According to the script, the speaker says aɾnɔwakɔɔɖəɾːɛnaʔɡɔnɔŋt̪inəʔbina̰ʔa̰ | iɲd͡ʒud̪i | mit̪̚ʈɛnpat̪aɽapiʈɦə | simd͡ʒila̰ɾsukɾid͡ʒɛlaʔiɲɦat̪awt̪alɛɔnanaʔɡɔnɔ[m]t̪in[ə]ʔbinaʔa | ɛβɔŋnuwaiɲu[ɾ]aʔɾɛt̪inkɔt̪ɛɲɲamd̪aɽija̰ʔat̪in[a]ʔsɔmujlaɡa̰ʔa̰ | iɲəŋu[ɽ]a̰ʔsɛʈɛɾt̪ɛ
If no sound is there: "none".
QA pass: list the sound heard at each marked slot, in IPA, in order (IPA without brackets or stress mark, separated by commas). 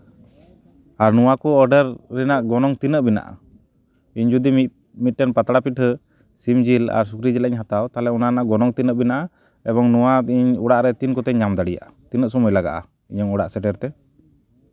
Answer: ŋ, ə, ɽ, ə, ɽ